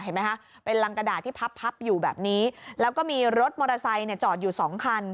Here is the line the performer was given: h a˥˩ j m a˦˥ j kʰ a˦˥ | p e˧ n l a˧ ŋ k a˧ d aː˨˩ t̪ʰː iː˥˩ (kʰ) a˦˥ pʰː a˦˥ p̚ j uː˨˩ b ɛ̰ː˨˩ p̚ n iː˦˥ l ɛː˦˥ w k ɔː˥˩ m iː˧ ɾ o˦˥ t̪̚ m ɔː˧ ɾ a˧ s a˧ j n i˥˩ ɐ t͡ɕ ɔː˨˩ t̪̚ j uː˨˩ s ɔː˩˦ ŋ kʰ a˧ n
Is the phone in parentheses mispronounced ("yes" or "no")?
yes